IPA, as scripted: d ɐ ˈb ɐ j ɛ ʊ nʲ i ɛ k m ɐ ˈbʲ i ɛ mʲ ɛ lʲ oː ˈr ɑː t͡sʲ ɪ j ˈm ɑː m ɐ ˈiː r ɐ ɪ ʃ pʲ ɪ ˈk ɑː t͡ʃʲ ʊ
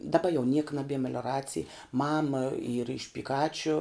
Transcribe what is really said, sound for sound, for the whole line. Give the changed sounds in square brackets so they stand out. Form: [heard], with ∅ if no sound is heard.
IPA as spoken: d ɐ ˈb ɐ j ɛ ʊ nʲ i ɛ k [n] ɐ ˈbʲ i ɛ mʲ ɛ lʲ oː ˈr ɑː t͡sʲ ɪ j ˈm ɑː m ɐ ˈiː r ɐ ɪ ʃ pʲ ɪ ˈk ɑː t͡ʃʲ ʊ